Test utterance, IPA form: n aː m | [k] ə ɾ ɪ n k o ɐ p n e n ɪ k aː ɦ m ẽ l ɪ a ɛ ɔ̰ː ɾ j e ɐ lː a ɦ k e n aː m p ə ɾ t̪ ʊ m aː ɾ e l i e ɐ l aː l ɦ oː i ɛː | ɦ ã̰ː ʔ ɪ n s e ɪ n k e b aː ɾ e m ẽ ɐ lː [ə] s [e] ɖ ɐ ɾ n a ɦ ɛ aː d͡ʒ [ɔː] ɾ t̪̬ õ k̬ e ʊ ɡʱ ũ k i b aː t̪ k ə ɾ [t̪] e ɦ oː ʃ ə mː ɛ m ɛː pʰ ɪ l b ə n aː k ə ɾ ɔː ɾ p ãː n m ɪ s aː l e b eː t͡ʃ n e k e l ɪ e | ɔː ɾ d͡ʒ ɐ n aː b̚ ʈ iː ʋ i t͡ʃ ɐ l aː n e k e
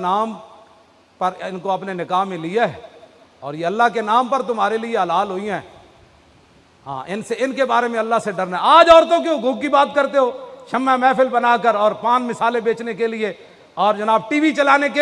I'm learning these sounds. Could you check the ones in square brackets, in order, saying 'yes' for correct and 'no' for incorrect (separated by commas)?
no, no, yes, yes, yes